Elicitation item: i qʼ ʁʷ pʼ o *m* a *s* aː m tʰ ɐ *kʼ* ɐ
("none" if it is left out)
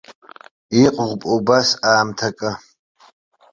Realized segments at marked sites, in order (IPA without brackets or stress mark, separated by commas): b, s, kʼ